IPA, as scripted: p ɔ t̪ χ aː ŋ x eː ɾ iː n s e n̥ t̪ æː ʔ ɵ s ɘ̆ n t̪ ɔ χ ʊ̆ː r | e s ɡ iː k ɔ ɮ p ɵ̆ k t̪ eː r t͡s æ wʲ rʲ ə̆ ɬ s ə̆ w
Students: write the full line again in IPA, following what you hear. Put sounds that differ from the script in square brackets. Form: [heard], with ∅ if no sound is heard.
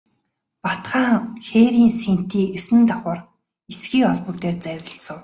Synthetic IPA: p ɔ t̪ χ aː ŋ x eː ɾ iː n s e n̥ t̪ [iː] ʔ ɵ s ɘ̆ n t̪ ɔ χ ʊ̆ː r | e s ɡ iː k ɔ ɮ p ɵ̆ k t̪ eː r t͡s æ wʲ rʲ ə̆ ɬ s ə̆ w